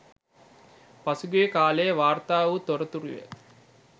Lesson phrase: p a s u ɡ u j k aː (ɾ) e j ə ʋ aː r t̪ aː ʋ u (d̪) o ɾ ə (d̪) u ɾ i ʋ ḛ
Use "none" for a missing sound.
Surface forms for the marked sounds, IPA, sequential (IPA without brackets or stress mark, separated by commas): l, t̪, t̪